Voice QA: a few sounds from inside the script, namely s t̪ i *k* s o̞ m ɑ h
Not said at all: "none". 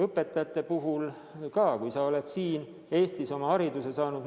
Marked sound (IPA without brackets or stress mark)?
none